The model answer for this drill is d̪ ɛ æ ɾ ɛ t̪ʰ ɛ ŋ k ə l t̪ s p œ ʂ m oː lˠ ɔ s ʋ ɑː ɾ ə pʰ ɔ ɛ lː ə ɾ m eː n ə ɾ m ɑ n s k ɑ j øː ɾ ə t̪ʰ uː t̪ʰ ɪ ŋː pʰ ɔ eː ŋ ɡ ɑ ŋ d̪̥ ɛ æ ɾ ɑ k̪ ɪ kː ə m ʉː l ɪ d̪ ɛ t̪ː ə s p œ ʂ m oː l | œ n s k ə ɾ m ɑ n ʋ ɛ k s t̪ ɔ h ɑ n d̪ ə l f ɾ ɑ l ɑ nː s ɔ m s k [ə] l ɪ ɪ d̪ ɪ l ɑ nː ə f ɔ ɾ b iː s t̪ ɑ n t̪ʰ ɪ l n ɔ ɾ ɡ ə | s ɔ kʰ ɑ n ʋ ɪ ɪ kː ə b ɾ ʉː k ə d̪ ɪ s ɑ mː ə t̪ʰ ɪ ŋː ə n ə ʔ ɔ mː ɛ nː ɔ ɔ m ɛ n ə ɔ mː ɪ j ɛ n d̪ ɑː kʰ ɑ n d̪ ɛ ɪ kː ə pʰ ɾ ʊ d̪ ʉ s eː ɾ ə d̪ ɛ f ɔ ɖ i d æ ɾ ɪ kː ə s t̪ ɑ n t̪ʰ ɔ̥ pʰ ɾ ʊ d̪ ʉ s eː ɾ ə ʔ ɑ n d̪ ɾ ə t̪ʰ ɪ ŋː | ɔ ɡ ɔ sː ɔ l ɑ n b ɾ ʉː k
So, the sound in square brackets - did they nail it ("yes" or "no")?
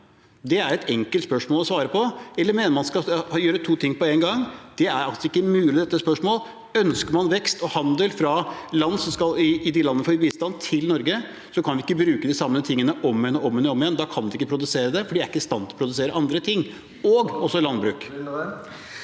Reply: no